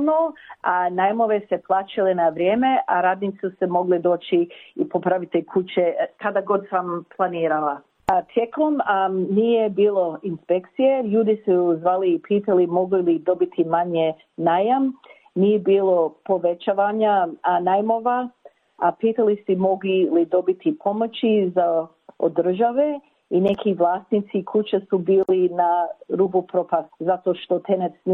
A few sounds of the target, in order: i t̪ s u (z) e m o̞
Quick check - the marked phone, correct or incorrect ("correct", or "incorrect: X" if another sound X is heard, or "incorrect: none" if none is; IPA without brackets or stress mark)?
incorrect: s